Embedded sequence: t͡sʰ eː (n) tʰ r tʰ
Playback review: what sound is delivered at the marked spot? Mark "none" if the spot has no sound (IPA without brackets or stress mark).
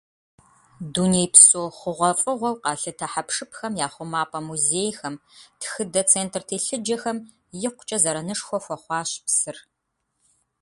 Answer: n